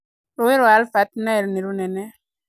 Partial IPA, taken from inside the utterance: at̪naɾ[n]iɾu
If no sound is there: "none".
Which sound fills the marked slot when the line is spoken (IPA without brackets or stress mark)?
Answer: n